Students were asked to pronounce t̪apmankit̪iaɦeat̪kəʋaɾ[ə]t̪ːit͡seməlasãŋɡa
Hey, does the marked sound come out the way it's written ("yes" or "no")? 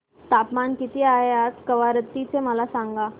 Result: yes